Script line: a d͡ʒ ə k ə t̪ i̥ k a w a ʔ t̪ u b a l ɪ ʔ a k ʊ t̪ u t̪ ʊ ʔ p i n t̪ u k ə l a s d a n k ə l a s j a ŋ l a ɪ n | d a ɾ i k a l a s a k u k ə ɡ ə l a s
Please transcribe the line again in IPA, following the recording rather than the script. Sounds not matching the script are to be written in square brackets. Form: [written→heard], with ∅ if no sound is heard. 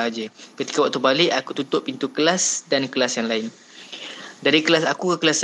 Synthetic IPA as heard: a d͡ʒ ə k ə t̪ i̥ k a w a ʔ t̪ u b a l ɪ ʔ a k [ʊ→u] t̪ u t̪ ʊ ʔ p i n t̪ u k ə l a s d a n k ə l a s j a ŋ l a ɪ n | d a ɾ i k [a→ə] l a s a k u k ə [ɡ→k] ə l a s